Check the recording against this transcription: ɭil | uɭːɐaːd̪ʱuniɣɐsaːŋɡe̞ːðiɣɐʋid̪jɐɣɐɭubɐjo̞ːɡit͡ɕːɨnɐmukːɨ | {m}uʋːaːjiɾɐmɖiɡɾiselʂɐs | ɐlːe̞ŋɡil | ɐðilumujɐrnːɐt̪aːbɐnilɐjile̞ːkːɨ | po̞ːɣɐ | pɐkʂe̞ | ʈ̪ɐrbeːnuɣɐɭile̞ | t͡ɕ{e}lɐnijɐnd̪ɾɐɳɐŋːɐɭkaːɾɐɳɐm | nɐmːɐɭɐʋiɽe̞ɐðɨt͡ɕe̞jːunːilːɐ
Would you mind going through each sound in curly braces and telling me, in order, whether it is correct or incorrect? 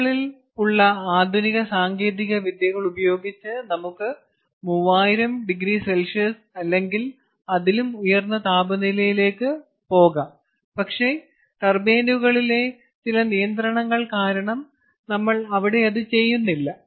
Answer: correct, incorrect

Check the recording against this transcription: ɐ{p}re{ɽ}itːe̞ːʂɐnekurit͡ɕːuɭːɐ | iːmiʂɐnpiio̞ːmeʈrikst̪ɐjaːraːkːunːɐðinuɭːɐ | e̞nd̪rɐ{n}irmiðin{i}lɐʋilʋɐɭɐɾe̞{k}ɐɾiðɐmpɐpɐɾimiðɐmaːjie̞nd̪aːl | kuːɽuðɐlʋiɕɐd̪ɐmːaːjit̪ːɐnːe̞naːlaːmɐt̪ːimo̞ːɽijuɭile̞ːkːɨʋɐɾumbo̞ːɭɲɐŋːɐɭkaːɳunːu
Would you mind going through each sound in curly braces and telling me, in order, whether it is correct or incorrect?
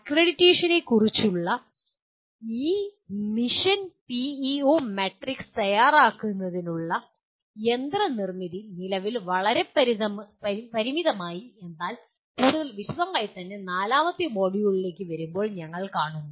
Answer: incorrect, correct, correct, correct, incorrect

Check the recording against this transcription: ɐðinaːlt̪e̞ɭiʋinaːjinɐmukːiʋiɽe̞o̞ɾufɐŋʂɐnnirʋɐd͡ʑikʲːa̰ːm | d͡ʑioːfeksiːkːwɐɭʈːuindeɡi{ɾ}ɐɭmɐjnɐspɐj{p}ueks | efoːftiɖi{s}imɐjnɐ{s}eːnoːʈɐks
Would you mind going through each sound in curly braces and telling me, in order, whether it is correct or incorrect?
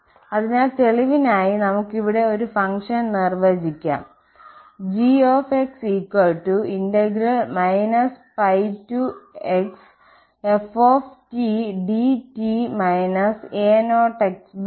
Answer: correct, incorrect, incorrect, correct

